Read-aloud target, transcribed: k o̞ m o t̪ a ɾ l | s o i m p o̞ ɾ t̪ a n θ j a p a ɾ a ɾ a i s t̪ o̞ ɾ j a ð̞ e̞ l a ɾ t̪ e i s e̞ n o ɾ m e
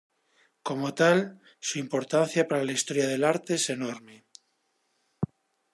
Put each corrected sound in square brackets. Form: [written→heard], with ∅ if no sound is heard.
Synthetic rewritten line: k o̞ m o t̪ a [ɾ→∅] l | s [o→u] i m p o̞ ɾ t̪ a n θ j a p a ɾ a [ɾ→l] a i s t̪ o̞ ɾ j a ð̞ e̞ l a ɾ t̪ e [i→e] s e̞ n o ɾ m e